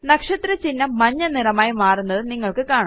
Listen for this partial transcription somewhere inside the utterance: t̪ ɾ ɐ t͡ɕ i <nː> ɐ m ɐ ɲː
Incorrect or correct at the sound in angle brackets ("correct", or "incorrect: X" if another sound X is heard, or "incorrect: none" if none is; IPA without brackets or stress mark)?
correct